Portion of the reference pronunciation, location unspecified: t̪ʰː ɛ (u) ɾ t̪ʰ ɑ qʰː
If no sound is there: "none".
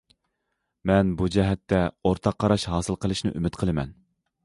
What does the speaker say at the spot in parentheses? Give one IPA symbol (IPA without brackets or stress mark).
o